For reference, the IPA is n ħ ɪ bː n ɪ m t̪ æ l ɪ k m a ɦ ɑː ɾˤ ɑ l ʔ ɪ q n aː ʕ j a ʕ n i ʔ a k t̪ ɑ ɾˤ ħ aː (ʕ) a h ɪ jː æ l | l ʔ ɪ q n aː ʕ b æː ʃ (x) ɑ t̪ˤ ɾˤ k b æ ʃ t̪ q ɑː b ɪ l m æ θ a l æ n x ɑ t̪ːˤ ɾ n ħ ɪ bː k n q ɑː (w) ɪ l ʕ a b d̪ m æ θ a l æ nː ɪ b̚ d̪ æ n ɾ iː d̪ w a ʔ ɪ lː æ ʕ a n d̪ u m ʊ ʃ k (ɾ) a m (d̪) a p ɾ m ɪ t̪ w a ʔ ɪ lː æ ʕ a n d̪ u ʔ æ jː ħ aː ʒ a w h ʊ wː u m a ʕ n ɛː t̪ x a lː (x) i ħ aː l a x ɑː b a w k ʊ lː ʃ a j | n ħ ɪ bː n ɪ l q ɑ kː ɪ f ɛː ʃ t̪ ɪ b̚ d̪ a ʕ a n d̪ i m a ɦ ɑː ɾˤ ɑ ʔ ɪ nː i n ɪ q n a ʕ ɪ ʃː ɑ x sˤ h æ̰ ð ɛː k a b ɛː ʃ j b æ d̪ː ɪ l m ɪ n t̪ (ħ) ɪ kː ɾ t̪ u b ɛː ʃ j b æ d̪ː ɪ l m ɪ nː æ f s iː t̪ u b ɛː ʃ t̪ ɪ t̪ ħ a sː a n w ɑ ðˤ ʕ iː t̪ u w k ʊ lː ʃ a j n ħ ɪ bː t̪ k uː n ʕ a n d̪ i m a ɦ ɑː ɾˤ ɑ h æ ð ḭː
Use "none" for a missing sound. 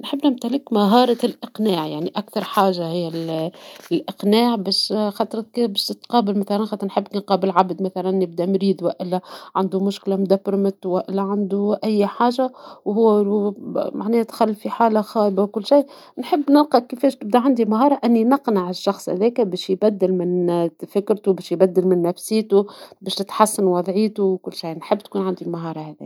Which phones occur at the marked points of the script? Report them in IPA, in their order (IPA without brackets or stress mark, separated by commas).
ʒ, x, b, l, d̪, f, f